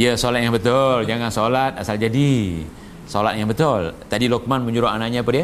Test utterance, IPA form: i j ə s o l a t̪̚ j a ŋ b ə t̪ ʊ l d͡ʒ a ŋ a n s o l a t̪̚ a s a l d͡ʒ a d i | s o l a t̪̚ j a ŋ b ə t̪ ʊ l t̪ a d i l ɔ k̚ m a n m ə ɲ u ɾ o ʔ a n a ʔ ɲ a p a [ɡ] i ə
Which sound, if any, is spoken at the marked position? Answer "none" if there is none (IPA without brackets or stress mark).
d